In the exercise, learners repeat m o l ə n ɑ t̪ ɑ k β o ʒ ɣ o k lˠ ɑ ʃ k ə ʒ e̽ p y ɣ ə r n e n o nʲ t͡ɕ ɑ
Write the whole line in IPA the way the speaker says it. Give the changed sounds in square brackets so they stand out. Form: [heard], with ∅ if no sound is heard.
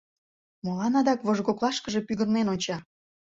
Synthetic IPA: m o l [ɑ] n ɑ [d̪] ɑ k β o ʒ ɣ o k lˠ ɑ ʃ k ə ʒ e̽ p y ɣ ə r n e n o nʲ t͡ɕ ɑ